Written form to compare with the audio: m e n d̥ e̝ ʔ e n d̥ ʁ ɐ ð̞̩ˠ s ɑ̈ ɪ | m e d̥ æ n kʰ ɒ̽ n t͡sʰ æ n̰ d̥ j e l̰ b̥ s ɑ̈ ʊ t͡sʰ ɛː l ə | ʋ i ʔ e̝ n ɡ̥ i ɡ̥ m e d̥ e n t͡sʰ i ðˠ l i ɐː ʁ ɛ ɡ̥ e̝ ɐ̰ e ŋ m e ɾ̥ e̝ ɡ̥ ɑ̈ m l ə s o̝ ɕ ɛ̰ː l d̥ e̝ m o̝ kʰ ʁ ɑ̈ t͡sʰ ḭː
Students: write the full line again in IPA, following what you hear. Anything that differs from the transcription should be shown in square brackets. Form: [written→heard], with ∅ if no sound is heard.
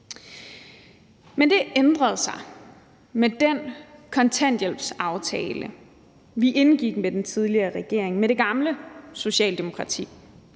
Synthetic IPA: m e n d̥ e̝ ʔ e n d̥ ʁ ɐ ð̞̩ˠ s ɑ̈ ɪ | m e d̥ [æ→e] n kʰ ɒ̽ n t͡sʰ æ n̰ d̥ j e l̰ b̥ s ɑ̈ ʊ t͡sʰ ɛː l ə | ʋ i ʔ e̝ n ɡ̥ i ɡ̥ m e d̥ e n t͡sʰ i ðˠ l i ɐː ʁ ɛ ɡ̥ e̝ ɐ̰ e ŋ m e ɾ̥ e̝ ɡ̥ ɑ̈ m l ə s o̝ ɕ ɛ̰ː l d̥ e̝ m o̝ kʰ ʁ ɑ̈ t͡sʰ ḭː

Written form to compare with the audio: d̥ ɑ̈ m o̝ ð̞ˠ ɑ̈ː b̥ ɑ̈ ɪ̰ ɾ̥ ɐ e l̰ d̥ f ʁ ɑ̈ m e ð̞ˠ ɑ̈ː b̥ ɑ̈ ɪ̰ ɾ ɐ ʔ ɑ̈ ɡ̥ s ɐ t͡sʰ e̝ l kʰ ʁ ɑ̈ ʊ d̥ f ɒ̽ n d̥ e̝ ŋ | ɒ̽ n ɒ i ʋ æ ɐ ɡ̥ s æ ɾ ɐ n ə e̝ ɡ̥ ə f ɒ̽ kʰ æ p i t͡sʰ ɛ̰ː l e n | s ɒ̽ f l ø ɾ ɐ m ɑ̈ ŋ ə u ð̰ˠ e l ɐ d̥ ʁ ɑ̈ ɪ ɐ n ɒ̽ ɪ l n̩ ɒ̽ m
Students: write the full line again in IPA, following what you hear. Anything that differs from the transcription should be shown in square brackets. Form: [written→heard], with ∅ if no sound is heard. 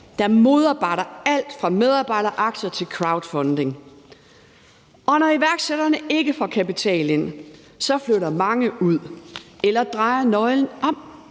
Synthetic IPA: d̥ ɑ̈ m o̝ ð̞ˠ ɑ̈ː b̥ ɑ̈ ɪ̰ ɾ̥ ɐ [e→æ] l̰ d̥ f ʁ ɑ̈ m e ð̞ˠ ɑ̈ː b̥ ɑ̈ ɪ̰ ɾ ɐ ʔ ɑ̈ ɡ̥ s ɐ t͡sʰ e̝ l kʰ ʁ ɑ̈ ʊ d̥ f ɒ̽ n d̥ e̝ ŋ | ɒ̽ n ɒ i ʋ æ ɐ ɡ̥ s [æ→e] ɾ ɐ n ə e̝ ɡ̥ ə f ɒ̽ kʰ æ p i t͡sʰ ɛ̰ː l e n | s ɒ̽ f l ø ɾ ɐ m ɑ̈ ŋ ə u ð̰ˠ e l ɐ d̥ ʁ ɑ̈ ɪ ɐ n ɒ̽ ɪ l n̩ ɒ̽ m

